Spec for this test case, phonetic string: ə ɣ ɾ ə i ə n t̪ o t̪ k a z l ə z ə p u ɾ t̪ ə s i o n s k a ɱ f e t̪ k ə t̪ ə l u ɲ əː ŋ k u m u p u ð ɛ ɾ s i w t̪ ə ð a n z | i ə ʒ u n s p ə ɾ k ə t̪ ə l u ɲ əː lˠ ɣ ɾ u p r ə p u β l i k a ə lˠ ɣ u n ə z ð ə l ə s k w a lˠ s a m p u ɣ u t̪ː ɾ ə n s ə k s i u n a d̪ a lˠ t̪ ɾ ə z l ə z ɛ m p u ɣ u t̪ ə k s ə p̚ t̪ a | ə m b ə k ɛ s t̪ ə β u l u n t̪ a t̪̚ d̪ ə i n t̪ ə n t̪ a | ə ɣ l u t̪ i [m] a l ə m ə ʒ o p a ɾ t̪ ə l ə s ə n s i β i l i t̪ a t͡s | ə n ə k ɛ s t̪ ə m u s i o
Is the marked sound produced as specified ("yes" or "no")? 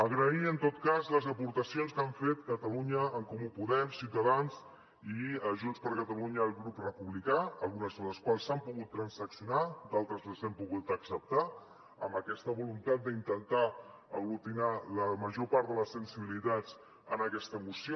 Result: no